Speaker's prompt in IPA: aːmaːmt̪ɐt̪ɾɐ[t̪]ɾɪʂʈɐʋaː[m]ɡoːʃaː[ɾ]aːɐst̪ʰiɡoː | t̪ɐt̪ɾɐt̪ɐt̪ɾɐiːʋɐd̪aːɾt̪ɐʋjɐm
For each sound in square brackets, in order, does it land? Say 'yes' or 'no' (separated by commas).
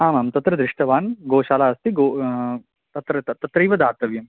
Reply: no, no, no